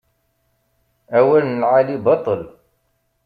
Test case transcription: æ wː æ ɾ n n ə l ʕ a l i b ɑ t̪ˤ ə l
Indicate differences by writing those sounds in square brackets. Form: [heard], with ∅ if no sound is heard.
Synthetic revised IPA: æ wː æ [l] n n ə l ʕ a l i b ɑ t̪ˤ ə l